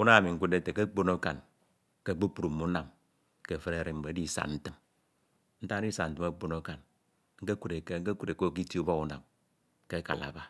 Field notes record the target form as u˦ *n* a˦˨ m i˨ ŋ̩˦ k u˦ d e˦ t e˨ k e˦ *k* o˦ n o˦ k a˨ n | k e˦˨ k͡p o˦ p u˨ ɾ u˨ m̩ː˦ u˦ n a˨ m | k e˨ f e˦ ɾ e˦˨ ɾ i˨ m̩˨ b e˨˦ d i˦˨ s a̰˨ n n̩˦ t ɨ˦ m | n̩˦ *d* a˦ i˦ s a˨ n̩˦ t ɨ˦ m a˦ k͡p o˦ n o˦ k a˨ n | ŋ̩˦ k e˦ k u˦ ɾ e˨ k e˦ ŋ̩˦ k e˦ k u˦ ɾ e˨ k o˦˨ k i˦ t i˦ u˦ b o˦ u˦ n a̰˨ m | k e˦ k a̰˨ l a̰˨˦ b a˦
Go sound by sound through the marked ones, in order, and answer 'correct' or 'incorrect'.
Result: correct, incorrect: k͡p, incorrect: t

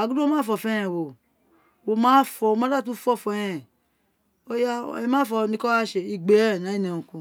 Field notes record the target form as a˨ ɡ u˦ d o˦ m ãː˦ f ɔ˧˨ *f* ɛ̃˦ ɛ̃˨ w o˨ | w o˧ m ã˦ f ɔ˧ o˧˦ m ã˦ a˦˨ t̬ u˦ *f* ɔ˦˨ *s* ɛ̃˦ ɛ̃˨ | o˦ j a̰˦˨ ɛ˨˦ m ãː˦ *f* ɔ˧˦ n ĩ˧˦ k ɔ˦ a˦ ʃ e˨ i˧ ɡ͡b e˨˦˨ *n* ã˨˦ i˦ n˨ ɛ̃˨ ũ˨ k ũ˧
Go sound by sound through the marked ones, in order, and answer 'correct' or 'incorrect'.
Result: correct, correct, incorrect: f, correct, correct

